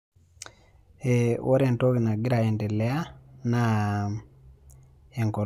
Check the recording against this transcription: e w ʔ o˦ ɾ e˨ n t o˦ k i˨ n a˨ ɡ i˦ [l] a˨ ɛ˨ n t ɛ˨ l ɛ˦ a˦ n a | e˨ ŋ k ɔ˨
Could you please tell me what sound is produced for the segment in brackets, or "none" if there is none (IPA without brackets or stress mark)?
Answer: ɾ